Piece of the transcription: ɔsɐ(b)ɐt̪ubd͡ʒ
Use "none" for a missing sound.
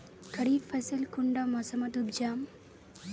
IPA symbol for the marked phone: m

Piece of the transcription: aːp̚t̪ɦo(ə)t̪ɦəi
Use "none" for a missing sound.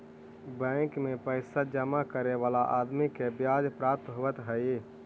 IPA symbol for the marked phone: ə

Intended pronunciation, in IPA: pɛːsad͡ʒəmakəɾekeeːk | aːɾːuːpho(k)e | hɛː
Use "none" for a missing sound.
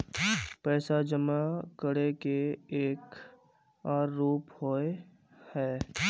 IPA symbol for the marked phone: none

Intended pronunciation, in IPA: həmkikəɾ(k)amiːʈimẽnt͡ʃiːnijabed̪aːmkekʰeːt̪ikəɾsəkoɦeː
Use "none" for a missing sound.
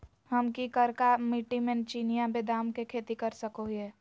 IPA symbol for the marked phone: k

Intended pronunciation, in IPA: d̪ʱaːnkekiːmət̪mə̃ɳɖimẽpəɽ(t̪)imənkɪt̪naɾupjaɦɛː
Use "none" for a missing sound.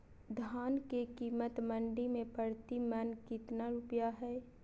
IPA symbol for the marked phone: t̪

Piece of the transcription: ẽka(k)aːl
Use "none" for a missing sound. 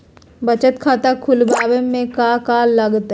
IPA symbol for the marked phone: k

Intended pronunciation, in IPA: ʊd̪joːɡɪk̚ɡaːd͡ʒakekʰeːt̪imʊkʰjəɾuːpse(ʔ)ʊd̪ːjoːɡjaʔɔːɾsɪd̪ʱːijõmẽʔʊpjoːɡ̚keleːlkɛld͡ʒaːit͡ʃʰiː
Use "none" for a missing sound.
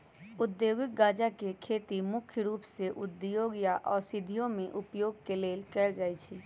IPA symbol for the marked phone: ʔ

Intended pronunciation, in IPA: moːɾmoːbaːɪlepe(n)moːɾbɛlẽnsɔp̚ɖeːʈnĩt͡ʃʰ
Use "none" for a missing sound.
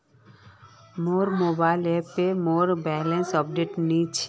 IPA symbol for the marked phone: none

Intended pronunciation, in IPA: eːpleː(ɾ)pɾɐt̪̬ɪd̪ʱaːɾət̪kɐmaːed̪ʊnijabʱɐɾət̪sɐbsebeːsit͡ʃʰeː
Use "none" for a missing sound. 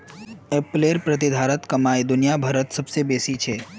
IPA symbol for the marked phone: ɾ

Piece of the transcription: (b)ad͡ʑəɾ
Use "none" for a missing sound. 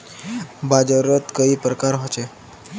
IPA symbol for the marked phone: b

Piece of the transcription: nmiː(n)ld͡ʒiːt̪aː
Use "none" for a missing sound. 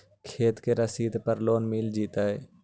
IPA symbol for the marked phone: none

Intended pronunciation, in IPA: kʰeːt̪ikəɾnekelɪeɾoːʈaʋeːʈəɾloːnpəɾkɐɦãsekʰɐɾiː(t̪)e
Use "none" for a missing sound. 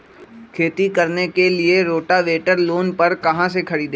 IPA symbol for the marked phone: d̪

